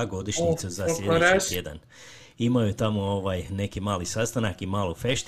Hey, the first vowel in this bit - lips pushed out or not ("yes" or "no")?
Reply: yes